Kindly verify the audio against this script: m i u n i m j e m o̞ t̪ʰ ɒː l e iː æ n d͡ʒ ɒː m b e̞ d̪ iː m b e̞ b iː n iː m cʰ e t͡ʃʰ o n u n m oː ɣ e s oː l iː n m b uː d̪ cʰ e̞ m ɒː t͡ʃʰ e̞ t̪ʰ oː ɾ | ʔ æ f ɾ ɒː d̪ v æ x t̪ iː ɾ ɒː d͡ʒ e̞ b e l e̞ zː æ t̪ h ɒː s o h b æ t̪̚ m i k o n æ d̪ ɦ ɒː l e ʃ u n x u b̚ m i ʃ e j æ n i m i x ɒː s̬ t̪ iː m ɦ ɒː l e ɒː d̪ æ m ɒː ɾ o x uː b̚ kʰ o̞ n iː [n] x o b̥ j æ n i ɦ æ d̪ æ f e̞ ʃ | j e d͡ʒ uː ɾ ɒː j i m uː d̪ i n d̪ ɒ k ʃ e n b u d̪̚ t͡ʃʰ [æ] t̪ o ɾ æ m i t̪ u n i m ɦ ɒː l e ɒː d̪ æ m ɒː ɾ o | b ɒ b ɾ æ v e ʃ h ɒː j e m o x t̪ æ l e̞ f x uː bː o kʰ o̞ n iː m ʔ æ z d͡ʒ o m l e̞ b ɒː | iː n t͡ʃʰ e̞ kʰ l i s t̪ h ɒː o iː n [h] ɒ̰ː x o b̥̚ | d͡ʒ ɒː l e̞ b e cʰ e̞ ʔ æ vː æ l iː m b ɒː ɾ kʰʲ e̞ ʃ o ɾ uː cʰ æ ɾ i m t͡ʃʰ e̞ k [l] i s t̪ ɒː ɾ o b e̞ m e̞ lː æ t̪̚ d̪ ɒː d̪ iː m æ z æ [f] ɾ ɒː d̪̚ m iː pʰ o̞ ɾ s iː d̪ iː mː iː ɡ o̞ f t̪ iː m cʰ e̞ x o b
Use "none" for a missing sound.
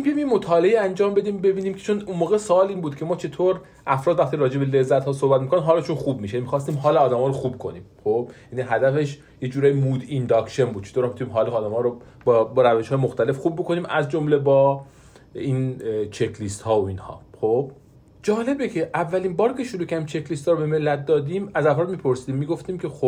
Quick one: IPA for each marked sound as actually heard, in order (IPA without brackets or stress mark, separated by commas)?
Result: m, e, h, l, f